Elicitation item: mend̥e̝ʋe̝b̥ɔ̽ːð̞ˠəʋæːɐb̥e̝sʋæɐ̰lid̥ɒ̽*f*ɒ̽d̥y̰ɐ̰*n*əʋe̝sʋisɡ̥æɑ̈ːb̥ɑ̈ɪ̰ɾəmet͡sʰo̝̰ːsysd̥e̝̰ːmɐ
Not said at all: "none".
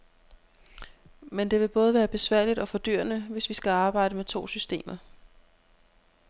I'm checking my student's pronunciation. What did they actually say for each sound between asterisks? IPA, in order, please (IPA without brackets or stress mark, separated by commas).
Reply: f, n